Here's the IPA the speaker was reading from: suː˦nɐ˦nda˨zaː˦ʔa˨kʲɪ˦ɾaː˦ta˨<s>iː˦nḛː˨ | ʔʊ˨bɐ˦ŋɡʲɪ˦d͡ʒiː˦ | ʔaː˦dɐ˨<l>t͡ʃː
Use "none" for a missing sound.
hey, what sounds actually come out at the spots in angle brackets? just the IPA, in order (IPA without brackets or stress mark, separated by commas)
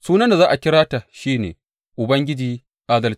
ʃ, l